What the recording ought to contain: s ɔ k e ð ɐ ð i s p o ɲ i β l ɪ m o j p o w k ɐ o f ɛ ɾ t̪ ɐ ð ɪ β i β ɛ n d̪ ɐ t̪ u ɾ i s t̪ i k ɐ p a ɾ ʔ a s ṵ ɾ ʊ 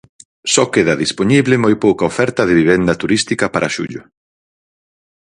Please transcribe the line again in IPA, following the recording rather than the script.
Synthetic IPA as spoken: s ɔ k e ð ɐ ð i s p o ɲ i β l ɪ m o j p o w k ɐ o f ɛ ɾ t̪ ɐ ð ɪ β i β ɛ n d̪ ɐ t̪ u ɾ i s t̪ i k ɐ p a ɾ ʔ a ʃ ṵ ʎ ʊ